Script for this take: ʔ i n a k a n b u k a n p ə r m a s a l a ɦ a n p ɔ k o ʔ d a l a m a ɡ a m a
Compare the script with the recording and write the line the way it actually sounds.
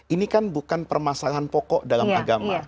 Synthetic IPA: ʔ i n i k a n b u k a n p ə r m a s a l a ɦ a n p ɔ k ɔ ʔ d a l a m a ɡ a m a